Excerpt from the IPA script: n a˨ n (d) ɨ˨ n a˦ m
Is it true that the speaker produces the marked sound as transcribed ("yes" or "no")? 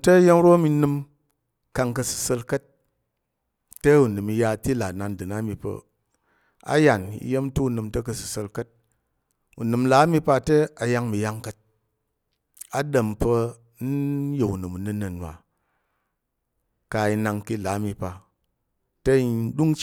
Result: yes